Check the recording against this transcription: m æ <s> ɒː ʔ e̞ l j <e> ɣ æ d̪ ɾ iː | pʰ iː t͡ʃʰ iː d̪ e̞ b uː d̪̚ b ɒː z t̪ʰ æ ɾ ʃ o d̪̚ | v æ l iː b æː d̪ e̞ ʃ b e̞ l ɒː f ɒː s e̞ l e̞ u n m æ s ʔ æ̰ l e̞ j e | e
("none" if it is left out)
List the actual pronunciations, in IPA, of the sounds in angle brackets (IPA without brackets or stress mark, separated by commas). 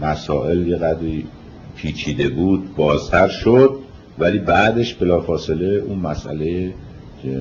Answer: s, e